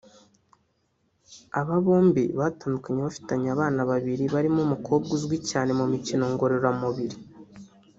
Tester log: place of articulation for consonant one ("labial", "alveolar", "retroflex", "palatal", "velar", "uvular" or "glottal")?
labial